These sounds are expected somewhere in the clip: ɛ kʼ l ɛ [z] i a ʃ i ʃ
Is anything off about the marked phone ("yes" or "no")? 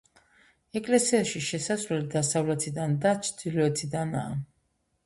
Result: yes